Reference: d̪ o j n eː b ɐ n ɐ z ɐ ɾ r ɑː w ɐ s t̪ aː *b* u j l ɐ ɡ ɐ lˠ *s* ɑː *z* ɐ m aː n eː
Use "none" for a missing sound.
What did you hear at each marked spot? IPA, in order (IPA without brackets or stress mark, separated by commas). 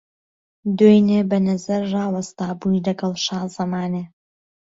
b, ʃ, z